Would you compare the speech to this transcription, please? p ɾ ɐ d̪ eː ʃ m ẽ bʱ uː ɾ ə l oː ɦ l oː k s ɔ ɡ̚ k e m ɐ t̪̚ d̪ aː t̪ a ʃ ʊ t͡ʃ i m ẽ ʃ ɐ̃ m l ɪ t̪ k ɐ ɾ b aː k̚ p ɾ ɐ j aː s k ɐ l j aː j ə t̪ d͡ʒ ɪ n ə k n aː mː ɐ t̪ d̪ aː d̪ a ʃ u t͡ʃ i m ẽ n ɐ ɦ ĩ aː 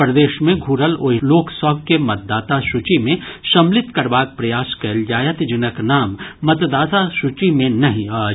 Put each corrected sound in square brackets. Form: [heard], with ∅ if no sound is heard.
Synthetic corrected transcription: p ɾ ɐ d̪ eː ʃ m ẽ [ɡʱ] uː ɾ ə l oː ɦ l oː k s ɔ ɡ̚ k e m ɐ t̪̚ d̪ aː t̪ a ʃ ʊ t͡ʃ i m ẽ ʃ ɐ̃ m l ɪ t̪ k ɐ ɾ b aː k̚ p ɾ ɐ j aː s k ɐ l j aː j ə t̪ d͡ʒ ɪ n ə k n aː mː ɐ t̪ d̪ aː [t̪] a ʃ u t͡ʃ i m ẽ n ɐ ɦ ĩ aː